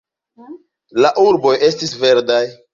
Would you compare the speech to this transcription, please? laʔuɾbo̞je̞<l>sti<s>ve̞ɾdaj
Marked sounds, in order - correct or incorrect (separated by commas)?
incorrect, correct